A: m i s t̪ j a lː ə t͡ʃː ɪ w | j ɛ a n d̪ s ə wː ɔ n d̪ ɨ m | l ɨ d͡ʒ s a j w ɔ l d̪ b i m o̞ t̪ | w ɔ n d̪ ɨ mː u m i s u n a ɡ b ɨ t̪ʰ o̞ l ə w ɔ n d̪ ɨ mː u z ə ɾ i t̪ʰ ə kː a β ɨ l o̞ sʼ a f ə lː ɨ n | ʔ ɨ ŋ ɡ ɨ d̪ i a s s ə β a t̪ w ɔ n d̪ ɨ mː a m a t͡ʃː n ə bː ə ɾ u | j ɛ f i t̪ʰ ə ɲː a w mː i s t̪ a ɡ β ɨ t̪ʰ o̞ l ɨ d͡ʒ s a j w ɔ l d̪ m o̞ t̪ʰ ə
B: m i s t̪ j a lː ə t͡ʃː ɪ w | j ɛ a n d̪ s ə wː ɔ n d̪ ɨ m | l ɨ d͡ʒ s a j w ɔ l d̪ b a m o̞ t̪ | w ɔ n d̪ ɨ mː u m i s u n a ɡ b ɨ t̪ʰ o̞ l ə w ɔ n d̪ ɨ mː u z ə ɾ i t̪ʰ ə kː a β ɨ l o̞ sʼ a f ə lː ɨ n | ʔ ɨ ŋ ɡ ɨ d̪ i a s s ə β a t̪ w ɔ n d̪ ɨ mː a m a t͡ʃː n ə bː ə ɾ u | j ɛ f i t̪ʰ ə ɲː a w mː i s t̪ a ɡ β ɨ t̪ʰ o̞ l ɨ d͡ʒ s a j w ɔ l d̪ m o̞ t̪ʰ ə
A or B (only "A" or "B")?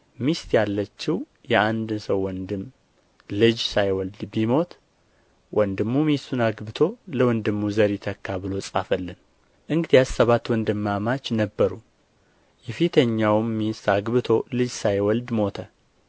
A